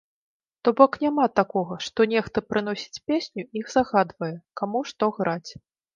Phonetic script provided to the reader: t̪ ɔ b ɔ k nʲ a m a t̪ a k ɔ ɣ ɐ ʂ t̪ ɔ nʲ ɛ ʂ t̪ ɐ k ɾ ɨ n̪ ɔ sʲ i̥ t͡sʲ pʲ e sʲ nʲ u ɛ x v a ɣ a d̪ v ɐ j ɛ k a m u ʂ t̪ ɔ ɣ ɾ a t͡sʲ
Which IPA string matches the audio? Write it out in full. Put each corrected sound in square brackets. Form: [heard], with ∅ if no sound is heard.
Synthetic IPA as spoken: t̪ ɔ b ɔ k nʲ a m a t̪ a k ɔ ɣ ɐ ʂ t̪ ɔ nʲ ɛ [x] t̪ ɐ [p] ɾ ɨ n̪ ɔ sʲ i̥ t͡sʲ pʲ e sʲ nʲ u [i] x [z] a ɣ a d̪ v ɐ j ɛ k a m u ʂ t̪ ɔ ɣ ɾ a t͡sʲ